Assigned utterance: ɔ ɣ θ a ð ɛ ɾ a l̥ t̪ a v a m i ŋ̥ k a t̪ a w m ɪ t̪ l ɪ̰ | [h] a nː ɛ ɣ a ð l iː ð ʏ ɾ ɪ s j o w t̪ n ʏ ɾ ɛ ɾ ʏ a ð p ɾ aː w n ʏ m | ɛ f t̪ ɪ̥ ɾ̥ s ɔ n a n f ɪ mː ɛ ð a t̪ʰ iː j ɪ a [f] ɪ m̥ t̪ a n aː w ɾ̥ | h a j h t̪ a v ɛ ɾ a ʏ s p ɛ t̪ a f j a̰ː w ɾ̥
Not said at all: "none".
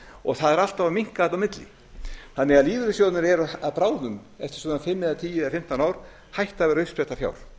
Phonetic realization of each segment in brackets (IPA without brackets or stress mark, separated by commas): θ, f